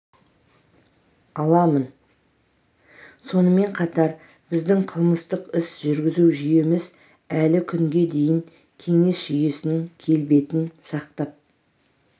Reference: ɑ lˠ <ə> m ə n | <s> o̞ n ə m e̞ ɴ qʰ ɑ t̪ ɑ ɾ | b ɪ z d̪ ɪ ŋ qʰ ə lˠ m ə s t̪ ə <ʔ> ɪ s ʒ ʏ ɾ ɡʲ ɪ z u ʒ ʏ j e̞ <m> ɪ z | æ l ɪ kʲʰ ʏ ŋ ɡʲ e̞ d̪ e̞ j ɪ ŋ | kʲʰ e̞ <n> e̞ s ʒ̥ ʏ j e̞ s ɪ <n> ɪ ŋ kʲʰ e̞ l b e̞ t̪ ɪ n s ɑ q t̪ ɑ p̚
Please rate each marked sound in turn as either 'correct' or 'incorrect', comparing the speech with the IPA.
incorrect: ɑ, correct, incorrect: q, correct, incorrect: ŋ, correct

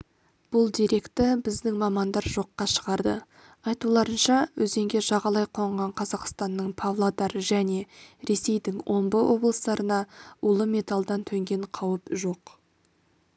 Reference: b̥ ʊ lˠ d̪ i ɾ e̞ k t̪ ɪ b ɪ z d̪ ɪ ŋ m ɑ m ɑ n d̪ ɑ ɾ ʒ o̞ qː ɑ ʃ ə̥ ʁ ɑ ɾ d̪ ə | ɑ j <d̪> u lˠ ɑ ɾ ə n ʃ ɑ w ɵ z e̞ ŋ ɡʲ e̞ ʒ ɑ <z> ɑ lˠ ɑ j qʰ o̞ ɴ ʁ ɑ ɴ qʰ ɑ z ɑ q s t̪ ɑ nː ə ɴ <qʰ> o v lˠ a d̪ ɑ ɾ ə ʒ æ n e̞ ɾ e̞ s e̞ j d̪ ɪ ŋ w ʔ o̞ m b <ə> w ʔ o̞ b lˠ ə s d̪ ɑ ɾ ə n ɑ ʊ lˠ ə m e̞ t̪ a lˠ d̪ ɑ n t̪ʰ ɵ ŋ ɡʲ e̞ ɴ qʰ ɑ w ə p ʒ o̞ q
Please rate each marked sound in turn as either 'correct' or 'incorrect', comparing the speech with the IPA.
incorrect: t̪, incorrect: ʁ, incorrect: pʰ, correct

